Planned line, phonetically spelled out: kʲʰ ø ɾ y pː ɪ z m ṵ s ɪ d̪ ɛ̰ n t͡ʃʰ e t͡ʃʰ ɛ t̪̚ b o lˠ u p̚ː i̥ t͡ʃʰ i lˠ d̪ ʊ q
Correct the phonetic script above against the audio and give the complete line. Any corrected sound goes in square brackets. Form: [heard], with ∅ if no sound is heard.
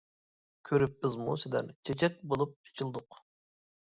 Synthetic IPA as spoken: kʲʰ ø ɾ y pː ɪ z m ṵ s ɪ d̪ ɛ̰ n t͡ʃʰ e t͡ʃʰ ɛ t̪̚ b o lˠ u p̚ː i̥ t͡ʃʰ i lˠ d̪ ʊ q